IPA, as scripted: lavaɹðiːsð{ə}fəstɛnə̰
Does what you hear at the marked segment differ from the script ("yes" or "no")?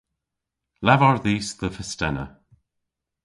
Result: no